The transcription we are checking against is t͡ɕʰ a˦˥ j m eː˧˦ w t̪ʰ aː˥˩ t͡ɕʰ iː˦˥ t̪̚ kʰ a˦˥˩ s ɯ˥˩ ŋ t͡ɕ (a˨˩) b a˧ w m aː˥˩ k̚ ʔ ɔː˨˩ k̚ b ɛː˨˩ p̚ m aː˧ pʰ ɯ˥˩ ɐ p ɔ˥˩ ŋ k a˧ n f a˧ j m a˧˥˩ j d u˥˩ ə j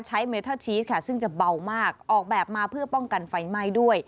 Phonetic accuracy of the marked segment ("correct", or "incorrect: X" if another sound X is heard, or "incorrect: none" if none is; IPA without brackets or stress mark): correct